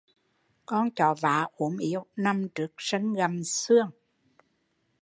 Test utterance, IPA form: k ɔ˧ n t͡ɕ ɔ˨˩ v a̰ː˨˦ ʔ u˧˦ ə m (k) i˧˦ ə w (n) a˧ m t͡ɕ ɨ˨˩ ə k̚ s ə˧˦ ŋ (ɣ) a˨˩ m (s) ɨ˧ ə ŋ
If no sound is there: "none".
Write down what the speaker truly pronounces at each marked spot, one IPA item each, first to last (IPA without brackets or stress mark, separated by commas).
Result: ʔ, n, ɣ, s